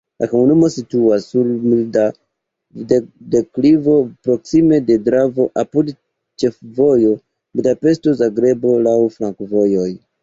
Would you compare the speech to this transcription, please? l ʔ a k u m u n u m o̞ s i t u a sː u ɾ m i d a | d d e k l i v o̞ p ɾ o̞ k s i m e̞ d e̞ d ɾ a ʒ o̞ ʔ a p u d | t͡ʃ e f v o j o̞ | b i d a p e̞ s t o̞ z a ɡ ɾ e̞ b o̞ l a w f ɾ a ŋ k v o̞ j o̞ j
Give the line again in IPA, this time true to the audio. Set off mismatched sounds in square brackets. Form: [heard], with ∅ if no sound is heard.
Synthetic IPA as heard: l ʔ a k [o] m u n u m o̞ s i t u a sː u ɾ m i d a | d d e k l i v o̞ p ɾ o̞ k s i m e̞ d e̞ d ɾ a [v] o̞ ʔ a p u d | t͡ʃ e f v o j o̞ | b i d a p e̞ s t o̞ z a ɡ ɾ e̞ b o̞ l a w f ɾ a ŋ k v o̞ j o̞ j